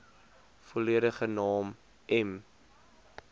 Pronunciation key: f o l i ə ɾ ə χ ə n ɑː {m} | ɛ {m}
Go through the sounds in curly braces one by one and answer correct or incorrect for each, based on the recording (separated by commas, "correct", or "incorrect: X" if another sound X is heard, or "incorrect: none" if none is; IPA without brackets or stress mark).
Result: correct, correct